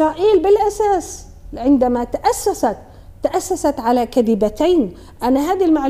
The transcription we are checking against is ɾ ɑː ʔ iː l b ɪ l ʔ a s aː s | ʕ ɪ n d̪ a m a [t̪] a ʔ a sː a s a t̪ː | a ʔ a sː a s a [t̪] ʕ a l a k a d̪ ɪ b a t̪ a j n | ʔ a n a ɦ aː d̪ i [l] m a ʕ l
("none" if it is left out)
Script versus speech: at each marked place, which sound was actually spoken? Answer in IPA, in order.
t̪, t̪, l

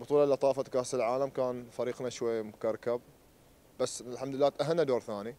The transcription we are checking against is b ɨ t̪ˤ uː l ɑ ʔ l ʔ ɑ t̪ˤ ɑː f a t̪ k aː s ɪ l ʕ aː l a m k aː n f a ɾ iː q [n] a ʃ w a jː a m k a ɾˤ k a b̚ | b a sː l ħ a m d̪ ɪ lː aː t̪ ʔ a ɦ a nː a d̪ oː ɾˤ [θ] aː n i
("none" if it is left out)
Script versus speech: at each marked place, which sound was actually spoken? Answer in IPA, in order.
n, θ

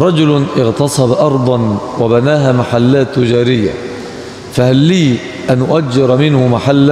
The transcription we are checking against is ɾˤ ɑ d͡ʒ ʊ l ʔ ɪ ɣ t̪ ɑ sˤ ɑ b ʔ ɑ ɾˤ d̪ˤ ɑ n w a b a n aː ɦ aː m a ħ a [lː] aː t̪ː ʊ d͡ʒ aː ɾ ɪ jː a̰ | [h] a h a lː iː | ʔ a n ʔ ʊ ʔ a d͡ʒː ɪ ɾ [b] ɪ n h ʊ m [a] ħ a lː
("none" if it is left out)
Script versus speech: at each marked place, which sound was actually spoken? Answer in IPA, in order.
lː, f, m, a

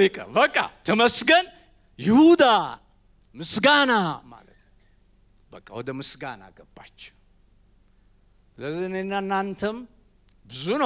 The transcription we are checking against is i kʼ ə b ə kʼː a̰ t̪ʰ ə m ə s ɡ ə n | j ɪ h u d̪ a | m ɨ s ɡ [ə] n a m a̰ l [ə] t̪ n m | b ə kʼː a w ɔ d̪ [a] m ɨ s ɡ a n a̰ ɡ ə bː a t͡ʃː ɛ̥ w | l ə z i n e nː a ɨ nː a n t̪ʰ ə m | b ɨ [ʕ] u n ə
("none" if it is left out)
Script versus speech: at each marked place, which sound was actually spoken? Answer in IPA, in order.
a, ə, ə, z

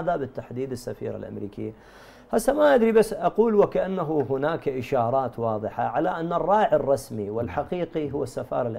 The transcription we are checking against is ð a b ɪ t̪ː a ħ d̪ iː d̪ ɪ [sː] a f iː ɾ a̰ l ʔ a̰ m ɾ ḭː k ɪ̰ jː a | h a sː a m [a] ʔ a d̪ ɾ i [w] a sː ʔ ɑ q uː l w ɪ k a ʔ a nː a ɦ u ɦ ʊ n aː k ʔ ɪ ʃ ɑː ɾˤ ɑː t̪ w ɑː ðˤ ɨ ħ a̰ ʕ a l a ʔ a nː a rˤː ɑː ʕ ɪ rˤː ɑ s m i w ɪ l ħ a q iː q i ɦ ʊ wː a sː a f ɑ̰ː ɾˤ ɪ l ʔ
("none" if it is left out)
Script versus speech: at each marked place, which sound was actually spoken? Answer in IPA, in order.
sː, a, b

